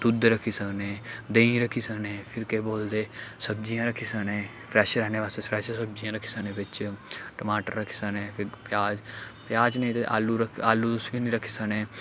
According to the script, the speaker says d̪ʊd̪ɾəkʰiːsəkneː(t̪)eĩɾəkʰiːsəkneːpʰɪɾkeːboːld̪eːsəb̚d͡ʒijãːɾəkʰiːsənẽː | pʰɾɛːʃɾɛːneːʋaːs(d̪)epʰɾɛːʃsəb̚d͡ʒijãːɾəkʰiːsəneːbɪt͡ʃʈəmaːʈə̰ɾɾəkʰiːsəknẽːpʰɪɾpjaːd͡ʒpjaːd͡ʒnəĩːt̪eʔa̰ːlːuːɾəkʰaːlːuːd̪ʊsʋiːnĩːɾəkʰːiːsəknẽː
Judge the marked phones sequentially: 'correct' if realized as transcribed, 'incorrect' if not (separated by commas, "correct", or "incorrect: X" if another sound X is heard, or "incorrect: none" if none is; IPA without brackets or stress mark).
incorrect: d̪, incorrect: t̪